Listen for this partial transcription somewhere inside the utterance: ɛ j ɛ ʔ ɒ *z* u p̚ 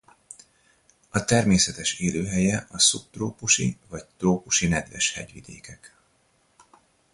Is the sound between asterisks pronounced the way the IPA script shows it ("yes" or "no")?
no